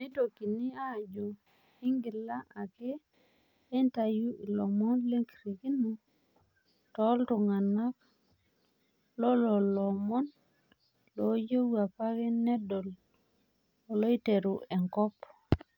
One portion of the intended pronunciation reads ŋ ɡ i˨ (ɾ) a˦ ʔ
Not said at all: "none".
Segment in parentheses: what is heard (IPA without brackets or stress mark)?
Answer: l